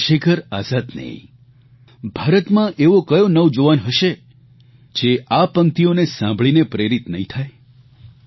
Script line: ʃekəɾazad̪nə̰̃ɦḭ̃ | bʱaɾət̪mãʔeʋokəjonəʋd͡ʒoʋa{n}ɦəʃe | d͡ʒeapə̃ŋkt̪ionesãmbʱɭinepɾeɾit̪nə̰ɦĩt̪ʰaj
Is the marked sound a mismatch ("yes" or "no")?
no